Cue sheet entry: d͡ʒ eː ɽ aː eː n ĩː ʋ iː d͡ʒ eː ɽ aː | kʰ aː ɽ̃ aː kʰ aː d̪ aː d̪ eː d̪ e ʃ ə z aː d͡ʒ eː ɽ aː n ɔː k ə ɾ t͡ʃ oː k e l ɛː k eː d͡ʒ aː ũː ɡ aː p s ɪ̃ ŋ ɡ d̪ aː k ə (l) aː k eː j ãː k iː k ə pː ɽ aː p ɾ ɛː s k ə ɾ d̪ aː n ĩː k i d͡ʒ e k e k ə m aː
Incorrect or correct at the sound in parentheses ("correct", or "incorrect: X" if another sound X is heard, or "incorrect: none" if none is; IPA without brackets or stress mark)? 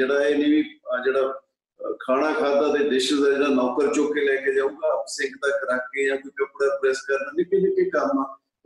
incorrect: ɾ